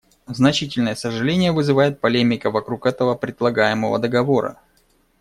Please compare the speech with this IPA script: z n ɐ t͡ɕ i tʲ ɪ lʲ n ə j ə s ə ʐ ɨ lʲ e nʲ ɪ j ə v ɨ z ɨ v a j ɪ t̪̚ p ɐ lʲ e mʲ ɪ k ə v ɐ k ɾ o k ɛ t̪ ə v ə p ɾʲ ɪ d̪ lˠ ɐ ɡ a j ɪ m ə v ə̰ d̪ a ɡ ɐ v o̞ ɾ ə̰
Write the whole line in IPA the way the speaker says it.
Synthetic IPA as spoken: z n ɐ t͡ɕ i tʲ ɪ lʲ n ə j ə s ə ʐ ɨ lʲ e nʲ ɪ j ə v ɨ z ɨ v a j ɪ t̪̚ p ɐ lʲ e mʲ ɪ k ə v ɐ k ɾ u k ɛ t̪ ə v ə p ɾʲ ɪ d̪ lˠ ɐ ɡ a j ɪ m ə v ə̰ d̪ ə ɡ ɐ v o̞ ɾ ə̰